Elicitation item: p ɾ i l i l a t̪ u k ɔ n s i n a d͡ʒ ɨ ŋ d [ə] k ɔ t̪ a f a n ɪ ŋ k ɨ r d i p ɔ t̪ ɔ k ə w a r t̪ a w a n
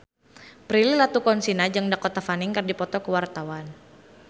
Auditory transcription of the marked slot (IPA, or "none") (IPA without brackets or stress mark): a